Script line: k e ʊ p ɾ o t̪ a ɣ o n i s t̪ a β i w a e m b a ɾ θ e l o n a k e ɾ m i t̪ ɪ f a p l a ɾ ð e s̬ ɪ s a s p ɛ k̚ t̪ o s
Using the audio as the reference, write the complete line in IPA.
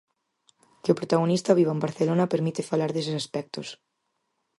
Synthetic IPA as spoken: k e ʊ p ɾ o t̪ a ɣ o n i s t̪ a β i β a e m b a ɾ θ e l o n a p e ɾ m i t̪ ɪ f a l a ɾ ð e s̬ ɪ s a s p ɛ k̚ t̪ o s